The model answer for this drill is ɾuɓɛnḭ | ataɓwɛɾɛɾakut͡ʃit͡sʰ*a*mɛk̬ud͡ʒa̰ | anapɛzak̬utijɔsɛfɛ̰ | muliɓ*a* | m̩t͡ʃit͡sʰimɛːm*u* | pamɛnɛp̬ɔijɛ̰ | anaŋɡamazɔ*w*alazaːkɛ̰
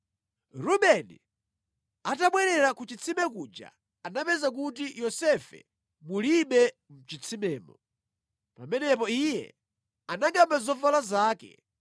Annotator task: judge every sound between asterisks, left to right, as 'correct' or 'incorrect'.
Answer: incorrect: i, incorrect: ɛ, incorrect: ɔ, incorrect: v

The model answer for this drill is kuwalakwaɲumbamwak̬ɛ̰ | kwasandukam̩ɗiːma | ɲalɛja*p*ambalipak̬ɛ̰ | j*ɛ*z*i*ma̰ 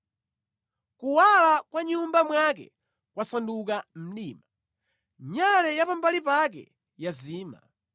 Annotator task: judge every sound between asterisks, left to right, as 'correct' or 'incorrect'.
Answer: correct, incorrect: a, incorrect: iː

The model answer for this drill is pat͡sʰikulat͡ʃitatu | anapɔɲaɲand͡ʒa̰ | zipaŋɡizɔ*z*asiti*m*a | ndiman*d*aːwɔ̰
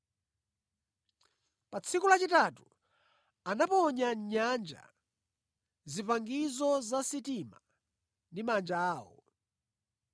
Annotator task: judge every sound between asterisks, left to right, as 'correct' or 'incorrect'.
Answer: correct, correct, incorrect: d͡ʒ

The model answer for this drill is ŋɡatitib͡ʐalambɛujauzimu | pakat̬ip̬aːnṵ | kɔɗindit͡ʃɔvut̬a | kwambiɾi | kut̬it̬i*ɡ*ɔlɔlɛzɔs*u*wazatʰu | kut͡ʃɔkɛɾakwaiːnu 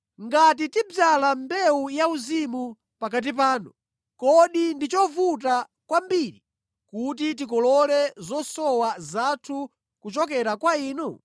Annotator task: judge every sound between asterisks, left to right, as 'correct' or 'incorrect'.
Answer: incorrect: k, incorrect: ɔ

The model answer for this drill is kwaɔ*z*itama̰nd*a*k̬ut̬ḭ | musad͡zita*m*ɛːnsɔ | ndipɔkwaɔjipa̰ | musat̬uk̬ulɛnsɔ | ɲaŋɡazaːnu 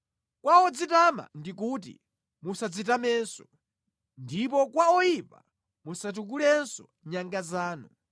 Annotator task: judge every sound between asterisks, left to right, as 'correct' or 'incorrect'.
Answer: incorrect: d͡z, incorrect: i, correct

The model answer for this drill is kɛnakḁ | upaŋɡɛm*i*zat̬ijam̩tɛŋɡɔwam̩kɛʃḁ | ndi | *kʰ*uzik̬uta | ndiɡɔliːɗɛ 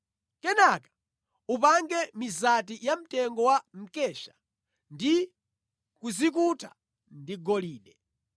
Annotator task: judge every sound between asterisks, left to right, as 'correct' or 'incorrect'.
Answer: correct, incorrect: k

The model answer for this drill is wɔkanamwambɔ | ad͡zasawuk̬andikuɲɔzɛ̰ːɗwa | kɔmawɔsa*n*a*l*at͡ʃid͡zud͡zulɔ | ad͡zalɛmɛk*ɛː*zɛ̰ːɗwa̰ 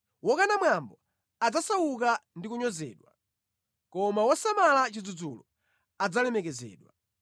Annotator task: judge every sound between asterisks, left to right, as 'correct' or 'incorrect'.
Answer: incorrect: m, correct, incorrect: ɛ

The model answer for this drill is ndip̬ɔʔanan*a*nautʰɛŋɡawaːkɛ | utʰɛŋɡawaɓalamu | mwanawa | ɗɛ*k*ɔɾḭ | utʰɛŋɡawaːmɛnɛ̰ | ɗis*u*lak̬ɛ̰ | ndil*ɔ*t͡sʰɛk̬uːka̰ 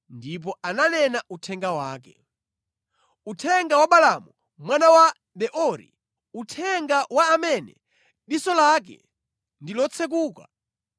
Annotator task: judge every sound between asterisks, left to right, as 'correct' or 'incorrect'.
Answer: incorrect: ɛ, incorrect: ʔ, incorrect: ɔ, correct

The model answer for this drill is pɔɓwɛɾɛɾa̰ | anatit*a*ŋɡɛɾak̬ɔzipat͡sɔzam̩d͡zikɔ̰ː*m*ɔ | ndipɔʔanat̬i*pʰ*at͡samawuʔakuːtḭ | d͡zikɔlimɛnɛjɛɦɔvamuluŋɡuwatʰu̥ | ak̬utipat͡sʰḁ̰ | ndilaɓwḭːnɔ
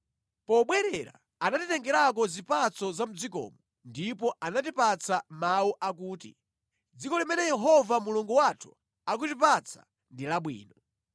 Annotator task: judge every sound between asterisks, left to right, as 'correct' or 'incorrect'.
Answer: incorrect: ɛ, correct, incorrect: p

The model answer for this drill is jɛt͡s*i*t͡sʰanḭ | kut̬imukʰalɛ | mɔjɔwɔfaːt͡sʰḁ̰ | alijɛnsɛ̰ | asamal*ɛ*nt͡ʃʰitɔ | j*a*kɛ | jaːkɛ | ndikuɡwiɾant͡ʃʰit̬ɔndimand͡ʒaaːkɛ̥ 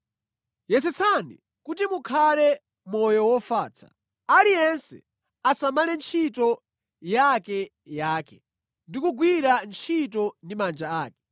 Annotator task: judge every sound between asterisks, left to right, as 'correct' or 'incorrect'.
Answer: incorrect: ɛ, correct, correct

